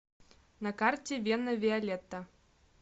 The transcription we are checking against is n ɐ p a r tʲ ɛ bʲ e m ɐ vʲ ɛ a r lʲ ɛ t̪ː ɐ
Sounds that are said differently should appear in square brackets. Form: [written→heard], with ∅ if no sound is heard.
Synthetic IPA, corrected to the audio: n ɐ [p→k] a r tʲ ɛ [bʲ→vʲ] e [m→n] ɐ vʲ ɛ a [r→∅] lʲ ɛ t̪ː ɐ